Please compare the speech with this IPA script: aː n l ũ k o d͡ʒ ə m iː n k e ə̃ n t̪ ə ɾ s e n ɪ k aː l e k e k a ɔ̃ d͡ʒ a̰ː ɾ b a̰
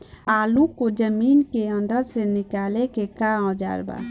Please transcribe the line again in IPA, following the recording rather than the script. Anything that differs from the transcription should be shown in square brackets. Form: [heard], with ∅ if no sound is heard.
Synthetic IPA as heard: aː [∅] l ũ k o d͡ʒ ə m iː n k e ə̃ n [d̪] ə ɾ s e n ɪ k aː l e k e k a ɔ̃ d͡ʒ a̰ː ɾ b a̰